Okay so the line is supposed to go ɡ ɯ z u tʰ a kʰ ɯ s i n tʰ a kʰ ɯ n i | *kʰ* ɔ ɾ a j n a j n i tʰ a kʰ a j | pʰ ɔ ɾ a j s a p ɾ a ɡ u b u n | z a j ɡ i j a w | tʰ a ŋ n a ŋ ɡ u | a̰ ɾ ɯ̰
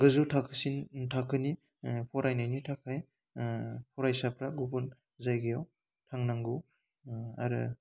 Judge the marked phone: incorrect: pʰ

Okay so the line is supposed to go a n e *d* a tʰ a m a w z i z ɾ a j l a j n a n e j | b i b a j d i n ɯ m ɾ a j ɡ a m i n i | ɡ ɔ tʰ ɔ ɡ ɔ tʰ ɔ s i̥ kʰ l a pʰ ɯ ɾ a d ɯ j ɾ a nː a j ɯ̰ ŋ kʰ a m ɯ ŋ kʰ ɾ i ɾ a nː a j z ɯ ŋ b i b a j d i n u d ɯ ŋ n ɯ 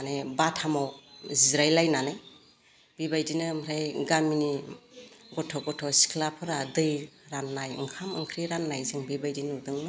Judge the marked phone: incorrect: b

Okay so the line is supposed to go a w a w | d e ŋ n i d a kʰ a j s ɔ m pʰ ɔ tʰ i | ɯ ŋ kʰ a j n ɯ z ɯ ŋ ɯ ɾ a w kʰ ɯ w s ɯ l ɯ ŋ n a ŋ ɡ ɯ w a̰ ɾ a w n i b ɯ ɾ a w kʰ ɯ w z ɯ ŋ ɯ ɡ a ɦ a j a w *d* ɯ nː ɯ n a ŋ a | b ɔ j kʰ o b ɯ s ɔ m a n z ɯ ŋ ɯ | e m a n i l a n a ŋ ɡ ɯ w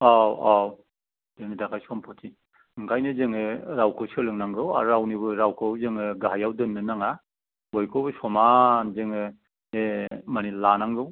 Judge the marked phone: correct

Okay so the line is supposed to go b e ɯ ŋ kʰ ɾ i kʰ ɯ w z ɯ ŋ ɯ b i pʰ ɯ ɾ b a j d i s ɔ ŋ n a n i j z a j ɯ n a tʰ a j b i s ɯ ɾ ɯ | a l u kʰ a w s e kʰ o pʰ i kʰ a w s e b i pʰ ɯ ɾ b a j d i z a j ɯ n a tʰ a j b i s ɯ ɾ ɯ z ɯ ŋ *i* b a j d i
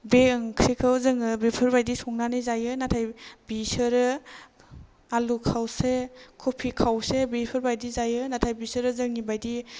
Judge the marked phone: correct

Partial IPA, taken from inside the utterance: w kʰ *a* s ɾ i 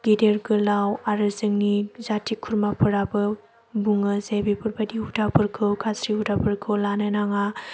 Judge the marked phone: correct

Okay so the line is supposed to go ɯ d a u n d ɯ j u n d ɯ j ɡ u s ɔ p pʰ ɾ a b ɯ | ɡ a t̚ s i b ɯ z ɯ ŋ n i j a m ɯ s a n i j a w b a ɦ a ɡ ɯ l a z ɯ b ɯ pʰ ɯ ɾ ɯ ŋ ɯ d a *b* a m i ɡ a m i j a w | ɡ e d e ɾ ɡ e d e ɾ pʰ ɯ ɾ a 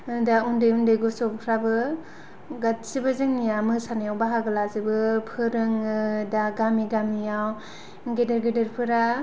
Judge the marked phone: incorrect: ɡ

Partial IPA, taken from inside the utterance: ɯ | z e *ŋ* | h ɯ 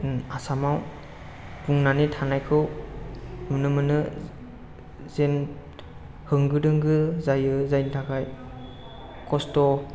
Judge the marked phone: incorrect: n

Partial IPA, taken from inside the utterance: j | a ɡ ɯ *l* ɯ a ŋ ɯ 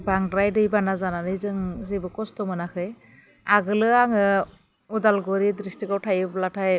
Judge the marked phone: correct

